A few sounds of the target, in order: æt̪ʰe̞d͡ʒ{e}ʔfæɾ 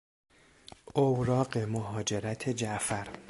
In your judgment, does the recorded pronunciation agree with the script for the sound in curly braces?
no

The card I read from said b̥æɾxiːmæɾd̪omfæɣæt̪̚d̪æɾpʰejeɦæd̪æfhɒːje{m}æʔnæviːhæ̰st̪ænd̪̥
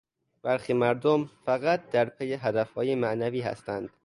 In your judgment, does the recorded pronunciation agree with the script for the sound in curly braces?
yes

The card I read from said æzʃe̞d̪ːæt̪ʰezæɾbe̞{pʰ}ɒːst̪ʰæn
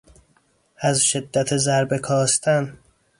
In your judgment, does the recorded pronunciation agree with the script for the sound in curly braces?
no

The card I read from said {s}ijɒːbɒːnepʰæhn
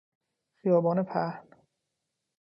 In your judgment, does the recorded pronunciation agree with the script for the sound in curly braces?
no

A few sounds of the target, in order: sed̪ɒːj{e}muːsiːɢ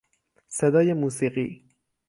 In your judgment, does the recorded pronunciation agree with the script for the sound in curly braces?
yes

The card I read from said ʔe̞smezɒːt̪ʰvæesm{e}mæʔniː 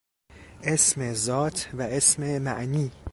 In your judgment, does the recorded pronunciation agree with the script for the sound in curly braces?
yes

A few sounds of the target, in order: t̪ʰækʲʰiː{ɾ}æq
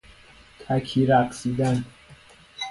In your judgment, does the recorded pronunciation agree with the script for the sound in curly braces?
yes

